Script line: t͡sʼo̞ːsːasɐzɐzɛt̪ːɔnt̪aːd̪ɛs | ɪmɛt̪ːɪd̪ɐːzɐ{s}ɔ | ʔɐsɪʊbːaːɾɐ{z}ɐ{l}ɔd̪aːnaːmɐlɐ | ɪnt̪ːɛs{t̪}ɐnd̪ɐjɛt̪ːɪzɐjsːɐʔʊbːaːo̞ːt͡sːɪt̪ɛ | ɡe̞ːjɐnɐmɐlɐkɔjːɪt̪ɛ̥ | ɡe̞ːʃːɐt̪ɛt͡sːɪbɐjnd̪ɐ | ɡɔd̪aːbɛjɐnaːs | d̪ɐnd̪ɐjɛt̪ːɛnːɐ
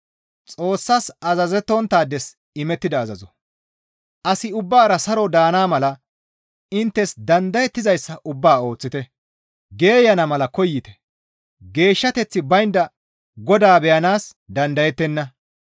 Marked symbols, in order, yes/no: no, no, no, no

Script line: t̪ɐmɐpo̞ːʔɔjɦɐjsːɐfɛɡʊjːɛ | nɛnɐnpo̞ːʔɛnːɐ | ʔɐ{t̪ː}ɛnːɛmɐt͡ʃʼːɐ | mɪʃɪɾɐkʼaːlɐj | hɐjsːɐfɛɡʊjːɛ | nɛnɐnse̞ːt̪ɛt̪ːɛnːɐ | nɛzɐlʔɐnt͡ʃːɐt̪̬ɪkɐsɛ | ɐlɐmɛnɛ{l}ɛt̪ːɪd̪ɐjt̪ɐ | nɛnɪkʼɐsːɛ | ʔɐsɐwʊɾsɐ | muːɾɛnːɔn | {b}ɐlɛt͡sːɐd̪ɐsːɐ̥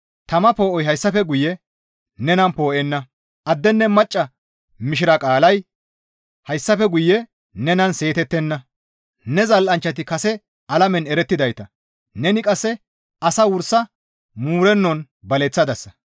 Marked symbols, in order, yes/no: no, no, yes

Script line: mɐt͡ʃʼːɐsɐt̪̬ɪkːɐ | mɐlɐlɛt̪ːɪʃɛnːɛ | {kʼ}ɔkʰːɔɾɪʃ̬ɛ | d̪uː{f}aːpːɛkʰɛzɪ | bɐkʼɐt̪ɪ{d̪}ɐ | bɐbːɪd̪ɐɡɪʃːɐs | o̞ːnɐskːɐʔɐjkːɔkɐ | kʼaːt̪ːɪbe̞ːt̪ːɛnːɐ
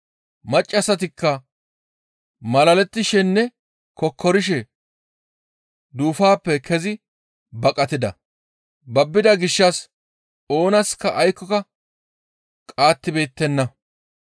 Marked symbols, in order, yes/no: no, yes, yes

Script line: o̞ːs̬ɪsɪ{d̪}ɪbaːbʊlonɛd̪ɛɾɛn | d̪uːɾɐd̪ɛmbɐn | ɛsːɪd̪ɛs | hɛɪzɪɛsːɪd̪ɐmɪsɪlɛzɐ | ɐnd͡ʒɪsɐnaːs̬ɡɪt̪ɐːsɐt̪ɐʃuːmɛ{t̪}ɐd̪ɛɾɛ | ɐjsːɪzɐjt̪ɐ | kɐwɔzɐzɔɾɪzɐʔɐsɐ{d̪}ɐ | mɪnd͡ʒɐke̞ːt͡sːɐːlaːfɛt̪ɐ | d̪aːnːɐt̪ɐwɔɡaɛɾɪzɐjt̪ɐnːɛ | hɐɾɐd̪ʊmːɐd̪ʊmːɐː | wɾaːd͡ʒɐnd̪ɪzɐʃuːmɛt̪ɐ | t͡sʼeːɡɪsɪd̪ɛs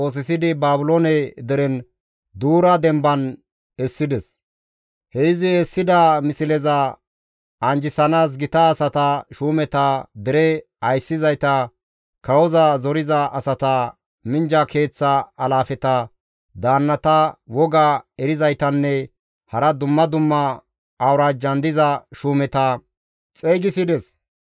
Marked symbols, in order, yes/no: yes, yes, no

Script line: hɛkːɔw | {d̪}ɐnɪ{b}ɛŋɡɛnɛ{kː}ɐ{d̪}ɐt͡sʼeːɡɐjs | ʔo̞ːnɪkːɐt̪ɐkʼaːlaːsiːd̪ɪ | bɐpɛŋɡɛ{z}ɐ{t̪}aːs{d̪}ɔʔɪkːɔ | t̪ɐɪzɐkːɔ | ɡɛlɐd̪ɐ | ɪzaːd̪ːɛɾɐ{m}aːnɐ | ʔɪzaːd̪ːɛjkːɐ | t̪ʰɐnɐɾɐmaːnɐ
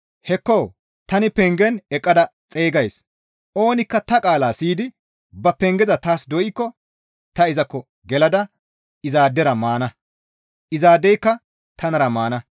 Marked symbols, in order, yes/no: no, no, no, yes, yes, yes, yes, yes

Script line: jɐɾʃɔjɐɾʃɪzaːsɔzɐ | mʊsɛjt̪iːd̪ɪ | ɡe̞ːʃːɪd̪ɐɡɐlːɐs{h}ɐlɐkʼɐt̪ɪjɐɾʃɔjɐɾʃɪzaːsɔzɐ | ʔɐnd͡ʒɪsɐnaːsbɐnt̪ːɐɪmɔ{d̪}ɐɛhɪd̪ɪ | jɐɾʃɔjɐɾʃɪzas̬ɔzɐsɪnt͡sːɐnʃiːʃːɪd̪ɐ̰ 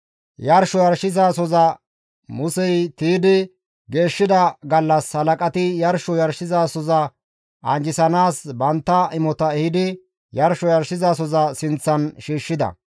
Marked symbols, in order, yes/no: yes, no

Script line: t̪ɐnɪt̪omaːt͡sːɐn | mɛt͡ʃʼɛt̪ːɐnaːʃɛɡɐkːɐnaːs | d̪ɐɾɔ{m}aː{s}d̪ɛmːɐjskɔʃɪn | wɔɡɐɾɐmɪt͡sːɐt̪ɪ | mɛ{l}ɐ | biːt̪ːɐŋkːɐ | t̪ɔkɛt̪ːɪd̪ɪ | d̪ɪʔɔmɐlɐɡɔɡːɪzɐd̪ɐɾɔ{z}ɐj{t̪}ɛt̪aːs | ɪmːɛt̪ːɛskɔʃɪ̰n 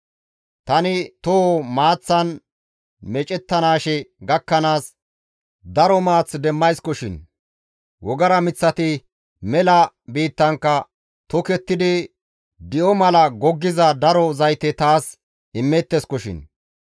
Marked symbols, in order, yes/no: yes, no, yes, yes, yes

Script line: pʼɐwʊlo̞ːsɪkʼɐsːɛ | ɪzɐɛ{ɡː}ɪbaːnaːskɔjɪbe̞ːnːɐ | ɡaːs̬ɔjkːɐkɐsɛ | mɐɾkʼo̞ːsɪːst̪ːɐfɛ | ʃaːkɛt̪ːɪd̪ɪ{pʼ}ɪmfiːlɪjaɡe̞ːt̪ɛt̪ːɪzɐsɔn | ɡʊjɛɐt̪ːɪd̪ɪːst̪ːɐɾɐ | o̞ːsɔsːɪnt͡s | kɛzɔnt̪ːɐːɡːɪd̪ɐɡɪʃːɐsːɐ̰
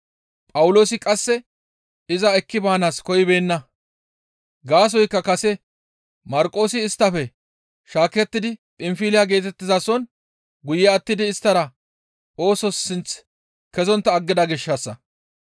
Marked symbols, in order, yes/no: no, yes

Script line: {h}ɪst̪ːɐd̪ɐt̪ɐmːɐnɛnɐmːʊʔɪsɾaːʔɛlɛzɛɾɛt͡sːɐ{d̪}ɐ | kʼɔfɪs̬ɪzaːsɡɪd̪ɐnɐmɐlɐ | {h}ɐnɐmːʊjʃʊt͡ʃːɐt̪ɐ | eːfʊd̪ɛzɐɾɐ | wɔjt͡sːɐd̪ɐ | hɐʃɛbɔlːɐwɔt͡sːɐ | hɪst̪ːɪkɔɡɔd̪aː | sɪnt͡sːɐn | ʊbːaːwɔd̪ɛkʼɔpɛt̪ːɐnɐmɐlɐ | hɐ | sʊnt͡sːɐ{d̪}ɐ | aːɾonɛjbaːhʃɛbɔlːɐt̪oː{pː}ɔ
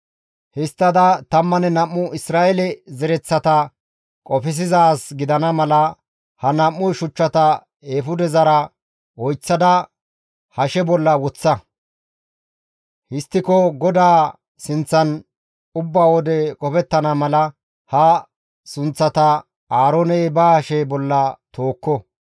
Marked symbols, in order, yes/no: yes, no, yes, no, no

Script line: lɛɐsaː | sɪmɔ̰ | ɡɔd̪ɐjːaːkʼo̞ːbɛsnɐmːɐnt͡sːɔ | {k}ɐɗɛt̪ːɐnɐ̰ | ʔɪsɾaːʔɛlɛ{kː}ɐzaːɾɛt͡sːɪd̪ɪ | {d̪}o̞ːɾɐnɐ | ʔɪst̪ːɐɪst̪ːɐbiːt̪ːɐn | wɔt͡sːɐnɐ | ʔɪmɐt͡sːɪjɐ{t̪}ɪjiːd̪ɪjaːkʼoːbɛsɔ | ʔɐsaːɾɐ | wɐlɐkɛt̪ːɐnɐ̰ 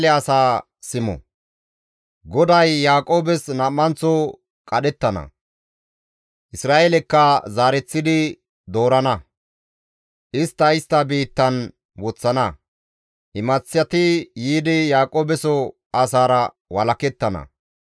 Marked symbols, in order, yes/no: no, yes, yes, yes

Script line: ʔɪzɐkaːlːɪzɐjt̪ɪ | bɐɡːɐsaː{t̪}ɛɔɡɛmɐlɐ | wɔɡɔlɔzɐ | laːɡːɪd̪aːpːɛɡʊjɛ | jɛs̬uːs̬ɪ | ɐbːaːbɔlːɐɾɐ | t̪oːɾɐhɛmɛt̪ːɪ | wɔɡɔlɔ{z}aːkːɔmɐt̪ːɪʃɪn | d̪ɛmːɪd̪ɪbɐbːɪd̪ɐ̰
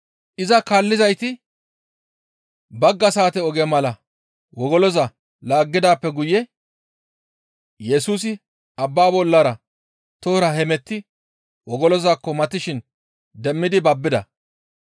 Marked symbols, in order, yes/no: yes, yes

